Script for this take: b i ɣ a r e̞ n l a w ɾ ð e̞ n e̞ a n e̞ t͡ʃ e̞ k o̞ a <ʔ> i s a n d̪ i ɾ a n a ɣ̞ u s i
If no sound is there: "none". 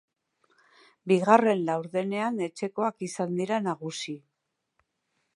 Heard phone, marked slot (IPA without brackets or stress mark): k